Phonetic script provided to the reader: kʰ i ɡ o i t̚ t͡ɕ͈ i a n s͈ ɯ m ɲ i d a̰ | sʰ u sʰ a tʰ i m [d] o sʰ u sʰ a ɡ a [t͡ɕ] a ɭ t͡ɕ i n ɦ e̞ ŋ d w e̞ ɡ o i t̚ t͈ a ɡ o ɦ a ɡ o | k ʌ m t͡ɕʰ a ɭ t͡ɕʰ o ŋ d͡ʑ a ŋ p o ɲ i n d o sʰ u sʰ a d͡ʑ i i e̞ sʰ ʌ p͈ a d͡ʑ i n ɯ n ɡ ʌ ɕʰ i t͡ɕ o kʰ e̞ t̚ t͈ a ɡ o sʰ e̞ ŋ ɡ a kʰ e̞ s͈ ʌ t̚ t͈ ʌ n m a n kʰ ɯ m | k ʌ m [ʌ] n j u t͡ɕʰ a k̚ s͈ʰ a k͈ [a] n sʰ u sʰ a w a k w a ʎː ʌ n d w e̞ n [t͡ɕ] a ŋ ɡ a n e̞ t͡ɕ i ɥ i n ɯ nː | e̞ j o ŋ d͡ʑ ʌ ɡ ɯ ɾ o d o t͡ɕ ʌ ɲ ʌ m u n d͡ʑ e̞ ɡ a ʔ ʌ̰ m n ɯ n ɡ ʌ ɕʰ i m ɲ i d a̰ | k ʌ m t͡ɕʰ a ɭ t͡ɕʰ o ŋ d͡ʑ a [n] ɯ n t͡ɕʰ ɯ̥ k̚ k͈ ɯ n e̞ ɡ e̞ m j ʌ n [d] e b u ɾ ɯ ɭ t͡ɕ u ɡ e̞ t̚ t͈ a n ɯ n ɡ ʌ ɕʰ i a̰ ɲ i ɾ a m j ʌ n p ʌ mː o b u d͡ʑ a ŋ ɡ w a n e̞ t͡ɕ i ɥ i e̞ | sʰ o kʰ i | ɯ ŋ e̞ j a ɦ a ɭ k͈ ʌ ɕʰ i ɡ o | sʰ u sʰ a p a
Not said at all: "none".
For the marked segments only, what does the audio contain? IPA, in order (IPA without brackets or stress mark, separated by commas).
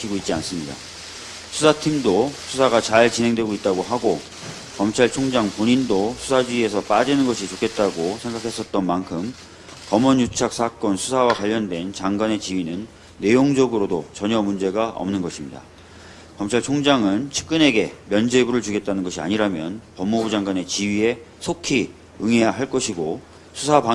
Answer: d, t͡ɕ, ʌ, ʌ, t͡ɕ, ŋ, d͡ʑ